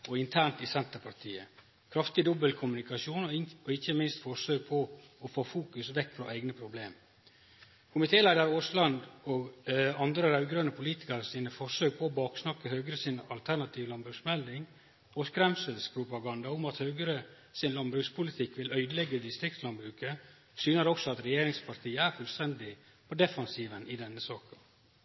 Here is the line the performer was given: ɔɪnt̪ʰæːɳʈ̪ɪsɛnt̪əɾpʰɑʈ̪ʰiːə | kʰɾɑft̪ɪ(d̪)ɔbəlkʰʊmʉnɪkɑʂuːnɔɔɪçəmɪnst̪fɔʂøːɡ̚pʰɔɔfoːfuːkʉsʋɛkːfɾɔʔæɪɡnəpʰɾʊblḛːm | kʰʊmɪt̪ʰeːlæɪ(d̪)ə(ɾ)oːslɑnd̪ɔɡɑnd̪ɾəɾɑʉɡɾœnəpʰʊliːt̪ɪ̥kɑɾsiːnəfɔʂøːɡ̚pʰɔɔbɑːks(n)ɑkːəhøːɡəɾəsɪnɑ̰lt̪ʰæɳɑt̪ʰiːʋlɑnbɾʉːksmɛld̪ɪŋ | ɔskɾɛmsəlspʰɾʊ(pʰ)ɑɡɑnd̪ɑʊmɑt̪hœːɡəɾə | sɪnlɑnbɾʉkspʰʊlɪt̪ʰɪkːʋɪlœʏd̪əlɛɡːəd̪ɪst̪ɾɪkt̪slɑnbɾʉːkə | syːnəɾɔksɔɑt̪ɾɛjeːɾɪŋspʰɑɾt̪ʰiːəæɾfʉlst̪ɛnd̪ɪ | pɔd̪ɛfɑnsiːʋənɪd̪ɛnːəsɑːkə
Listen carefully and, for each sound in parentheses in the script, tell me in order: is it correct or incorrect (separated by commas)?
correct, correct, correct, correct, incorrect